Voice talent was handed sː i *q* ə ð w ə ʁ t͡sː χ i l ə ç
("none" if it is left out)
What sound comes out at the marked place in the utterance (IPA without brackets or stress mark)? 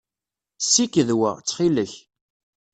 k